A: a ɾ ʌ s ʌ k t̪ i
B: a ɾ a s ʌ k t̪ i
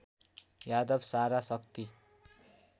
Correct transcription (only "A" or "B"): B